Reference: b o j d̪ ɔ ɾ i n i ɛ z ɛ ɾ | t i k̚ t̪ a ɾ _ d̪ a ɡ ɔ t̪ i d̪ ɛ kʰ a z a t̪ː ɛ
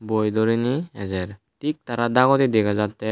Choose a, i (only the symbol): a